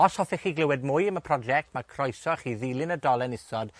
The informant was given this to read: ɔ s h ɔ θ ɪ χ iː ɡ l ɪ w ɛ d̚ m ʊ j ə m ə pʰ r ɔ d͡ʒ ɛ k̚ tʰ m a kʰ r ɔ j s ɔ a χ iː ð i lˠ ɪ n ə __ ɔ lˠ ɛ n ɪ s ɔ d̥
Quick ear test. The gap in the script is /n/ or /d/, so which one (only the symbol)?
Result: d